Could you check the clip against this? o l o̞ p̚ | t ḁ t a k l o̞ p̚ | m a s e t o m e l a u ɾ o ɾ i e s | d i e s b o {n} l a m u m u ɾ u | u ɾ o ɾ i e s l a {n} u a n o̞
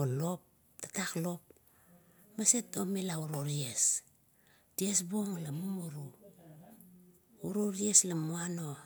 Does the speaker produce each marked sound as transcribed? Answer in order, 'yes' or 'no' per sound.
no, no

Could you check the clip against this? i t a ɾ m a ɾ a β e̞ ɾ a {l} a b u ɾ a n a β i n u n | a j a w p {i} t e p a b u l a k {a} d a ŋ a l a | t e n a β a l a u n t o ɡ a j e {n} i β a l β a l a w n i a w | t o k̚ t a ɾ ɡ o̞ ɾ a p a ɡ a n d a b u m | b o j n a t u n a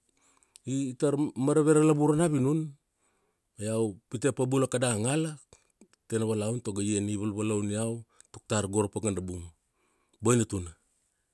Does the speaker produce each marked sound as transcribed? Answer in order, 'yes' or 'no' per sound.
yes, yes, yes, yes

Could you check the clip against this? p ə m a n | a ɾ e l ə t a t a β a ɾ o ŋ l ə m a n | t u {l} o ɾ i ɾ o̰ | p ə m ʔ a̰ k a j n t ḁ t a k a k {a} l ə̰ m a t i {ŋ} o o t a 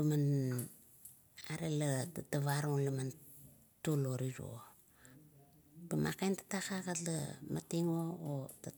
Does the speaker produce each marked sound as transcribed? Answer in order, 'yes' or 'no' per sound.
yes, yes, yes

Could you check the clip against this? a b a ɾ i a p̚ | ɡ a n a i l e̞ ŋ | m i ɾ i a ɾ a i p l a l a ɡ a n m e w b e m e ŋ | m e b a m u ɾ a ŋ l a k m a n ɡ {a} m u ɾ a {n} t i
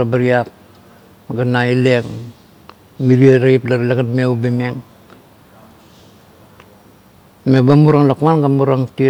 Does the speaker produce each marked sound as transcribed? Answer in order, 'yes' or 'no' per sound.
yes, no

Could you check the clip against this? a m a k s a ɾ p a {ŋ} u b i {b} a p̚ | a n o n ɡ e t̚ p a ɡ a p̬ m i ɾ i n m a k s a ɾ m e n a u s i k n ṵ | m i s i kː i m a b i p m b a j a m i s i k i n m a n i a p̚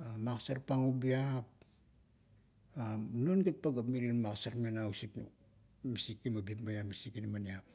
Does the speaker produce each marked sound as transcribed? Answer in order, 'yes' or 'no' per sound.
yes, no

